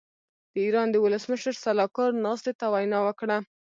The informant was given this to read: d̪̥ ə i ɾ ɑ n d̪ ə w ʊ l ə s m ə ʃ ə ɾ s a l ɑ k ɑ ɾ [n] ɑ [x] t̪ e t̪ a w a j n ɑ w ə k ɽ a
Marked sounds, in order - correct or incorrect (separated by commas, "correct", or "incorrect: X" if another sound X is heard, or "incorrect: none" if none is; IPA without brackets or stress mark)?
correct, incorrect: s